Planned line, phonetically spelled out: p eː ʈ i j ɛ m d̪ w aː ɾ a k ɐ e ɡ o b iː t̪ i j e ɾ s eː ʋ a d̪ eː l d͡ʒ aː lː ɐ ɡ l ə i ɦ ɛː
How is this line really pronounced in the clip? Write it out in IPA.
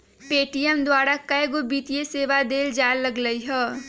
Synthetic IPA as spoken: p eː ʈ i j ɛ m d̪ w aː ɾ a k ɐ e ɡ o b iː t̪ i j e s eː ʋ a d̪ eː l d͡ʒ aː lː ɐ ɡ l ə i ɦ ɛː